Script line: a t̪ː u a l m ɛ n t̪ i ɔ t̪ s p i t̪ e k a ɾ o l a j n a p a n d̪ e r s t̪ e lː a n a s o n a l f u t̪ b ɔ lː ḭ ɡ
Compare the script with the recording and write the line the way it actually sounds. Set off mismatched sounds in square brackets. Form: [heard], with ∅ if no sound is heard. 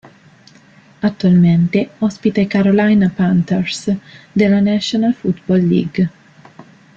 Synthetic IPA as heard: a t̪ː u a l m [e] n t̪ [e] ɔ [∅] s p i t̪ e k a ɾ o l a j n a p a n [t̪] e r s [d̪] e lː a n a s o n a l f u t̪ b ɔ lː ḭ ɡ